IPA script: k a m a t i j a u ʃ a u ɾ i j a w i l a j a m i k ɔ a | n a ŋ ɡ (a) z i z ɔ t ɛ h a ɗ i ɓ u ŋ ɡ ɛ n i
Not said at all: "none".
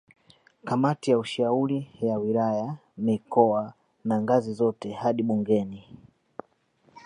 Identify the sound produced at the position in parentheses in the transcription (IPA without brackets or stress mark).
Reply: a